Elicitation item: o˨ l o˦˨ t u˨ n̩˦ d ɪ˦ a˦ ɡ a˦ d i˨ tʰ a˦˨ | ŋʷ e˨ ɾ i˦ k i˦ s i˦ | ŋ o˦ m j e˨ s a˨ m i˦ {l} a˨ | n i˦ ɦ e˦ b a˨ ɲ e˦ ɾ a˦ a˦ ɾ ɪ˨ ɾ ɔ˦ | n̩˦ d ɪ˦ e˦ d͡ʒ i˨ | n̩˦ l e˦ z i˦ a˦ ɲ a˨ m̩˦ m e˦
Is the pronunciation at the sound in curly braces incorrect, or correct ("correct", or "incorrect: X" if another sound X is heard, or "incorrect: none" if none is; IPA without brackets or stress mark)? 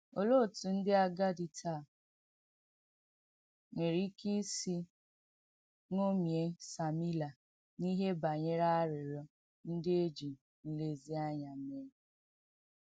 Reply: correct